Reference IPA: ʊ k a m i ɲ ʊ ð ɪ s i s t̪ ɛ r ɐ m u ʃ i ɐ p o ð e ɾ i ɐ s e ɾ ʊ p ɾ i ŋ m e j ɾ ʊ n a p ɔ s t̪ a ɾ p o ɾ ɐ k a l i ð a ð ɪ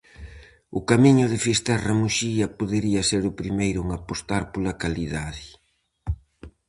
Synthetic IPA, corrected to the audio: ʊ k a m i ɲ ʊ ð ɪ f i s t̪ ɛ r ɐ m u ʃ i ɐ p o ð e ɾ i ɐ s e ɾ ʊ p ɾ i m e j ɾ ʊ ŋ a p o s t̪ a ɾ p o l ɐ k a l i ð a ð ɪ